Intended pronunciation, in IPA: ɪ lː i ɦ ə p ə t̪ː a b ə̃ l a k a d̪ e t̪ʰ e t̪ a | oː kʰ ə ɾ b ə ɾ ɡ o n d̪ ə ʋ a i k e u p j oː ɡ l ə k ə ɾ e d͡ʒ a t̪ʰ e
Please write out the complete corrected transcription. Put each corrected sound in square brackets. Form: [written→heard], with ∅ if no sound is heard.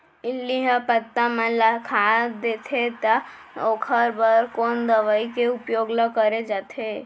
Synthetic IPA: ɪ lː i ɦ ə p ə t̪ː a [b→m] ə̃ l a [k→kʰ] a d̪ e t̪ʰ e t̪ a | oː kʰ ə ɾ b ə ɾ [ɡ→k] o n d̪ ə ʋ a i k e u p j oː ɡ l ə k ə ɾ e d͡ʒ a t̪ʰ e